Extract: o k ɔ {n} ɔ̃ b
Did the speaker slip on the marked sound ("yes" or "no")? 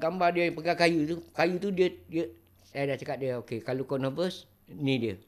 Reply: no